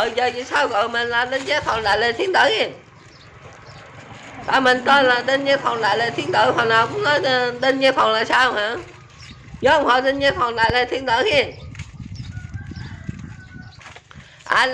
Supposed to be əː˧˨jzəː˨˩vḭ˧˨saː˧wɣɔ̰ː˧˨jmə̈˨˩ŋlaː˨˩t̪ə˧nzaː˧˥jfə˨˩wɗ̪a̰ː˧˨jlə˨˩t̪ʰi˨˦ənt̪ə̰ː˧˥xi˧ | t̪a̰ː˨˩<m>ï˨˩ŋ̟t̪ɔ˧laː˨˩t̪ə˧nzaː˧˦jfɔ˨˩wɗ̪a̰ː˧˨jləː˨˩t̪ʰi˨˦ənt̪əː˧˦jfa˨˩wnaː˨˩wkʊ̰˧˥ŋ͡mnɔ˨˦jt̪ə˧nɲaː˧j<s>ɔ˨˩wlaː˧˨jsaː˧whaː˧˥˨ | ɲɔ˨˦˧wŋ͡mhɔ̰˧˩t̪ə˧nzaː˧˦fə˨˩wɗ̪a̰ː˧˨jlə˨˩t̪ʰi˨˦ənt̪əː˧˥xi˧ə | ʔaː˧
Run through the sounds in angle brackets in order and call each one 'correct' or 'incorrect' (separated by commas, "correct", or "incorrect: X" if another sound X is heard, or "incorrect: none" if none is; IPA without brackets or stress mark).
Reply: correct, incorrect: f